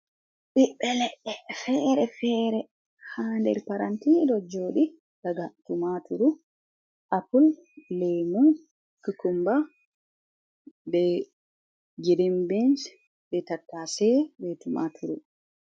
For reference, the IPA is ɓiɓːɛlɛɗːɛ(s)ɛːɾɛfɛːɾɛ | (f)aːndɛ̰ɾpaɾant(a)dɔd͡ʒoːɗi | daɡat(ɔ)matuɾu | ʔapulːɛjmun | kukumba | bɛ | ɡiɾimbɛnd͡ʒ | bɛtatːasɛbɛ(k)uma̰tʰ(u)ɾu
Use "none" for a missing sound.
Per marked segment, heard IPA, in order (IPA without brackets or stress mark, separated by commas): f, h, i, u, t, u